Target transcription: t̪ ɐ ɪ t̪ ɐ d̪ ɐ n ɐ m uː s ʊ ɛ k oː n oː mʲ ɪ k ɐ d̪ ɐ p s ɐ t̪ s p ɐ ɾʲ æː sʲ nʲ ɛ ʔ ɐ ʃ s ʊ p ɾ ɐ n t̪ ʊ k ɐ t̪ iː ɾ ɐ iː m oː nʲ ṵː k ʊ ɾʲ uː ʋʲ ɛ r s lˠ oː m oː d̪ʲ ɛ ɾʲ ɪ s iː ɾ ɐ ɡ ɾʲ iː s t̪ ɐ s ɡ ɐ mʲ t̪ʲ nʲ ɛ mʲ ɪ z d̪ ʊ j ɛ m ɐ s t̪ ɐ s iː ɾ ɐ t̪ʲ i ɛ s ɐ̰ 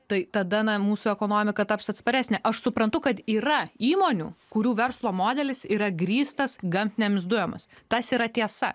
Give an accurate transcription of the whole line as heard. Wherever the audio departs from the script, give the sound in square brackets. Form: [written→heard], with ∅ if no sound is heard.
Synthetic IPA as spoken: t̪ ɐ ɪ t̪ ɐ d̪ ɐ n ɐ m uː s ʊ ɛ k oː n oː mʲ ɪ k ɐ [d̪→t̪] ɐ p s ɐ t̪ s p ɐ ɾʲ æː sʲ nʲ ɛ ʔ ɐ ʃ s ʊ p ɾ ɐ n t̪ ʊ k ɐ t̪ iː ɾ ɐ iː m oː nʲ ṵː k ʊ ɾʲ uː ʋʲ ɛ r s lˠ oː m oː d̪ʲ ɛ [ɾʲ→lʲ] ɪ s iː ɾ ɐ ɡ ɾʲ iː s t̪ ɐ s ɡ ɐ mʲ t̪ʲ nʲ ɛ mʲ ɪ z d̪ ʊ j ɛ m ɐ s t̪ ɐ s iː ɾ ɐ t̪ʲ i ɛ s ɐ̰